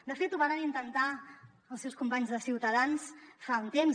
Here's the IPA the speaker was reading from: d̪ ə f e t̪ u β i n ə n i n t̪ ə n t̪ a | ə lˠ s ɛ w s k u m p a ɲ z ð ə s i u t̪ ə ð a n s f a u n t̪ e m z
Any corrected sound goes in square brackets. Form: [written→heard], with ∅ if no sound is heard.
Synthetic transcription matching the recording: d̪ ə f e t̪ u β [i→a] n ə n i n t̪ ə n t̪ a | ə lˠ s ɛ w s k u m p a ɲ z ð ə s i [u→w] t̪ ə ð a n s f a u n t̪ e m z